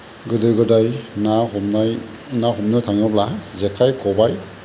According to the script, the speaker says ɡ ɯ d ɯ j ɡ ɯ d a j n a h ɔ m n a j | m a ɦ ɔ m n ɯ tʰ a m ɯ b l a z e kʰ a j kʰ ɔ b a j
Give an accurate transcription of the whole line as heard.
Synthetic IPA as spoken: ɡ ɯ d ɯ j ɡ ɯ d a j n a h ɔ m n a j | n a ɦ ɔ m n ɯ tʰ a ŋ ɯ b l a z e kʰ a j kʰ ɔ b a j